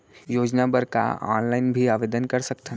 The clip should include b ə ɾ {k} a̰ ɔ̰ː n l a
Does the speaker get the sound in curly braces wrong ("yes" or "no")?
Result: no